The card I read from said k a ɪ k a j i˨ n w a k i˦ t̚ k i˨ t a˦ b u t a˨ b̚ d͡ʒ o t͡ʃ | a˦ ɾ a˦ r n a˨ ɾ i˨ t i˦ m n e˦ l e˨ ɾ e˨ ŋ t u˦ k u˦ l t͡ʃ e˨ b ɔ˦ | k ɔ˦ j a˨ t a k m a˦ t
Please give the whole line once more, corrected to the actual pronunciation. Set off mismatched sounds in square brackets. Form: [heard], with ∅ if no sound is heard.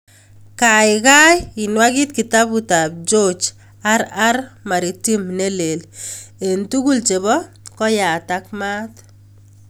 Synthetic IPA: k a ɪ k a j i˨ n w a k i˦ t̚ k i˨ t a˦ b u t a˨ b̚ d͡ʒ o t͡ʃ | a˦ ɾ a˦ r [m] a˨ ɾ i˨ t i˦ m n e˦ l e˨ [l] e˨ [n] t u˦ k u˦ l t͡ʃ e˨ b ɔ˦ | k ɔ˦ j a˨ t a k m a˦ t